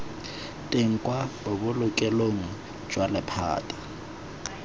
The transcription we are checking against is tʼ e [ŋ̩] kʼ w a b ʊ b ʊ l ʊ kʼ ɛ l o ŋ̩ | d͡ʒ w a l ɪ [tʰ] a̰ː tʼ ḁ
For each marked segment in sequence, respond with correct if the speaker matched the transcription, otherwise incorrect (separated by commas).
correct, incorrect